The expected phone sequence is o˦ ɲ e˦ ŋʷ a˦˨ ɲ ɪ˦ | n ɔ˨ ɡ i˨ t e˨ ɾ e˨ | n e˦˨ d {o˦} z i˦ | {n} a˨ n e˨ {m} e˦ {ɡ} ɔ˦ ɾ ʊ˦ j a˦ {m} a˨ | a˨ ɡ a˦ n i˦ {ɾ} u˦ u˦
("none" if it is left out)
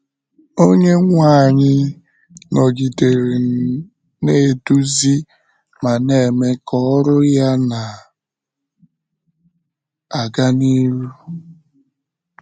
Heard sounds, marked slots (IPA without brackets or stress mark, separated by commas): u˦, m, m, k, n, ɾ